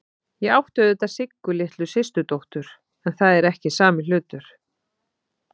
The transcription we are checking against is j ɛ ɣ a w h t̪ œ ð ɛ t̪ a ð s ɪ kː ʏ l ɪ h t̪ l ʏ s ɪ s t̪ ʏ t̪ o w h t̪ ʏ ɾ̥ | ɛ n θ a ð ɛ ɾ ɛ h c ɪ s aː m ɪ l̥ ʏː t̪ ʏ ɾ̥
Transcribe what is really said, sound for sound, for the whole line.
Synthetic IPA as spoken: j ɛ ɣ a w h t̪ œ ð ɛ t̪ a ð s ɪ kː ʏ l ɪ h t̪ l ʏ s ɪ s t̪ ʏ t̪ o w h t̪ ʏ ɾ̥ | ɛ n θ a ð ɛ ɾ ɛ h c ɪ s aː m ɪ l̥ ʏː t̪ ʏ ɾ̥